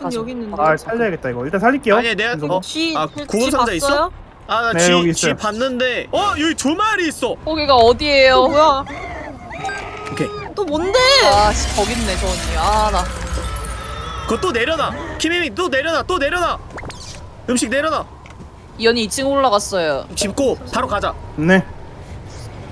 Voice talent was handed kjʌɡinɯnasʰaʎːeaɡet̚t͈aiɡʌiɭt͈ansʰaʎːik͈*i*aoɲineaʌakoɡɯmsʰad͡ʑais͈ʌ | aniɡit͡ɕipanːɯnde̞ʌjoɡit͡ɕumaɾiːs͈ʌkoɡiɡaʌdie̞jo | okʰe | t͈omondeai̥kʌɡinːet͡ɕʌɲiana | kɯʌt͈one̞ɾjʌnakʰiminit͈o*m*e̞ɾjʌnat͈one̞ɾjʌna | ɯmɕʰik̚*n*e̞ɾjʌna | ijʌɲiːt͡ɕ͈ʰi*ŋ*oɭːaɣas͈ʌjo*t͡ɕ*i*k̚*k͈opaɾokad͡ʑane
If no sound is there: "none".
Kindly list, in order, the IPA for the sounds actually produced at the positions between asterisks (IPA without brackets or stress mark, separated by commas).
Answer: e, n, n, ŋ, t͡ɕ, p̚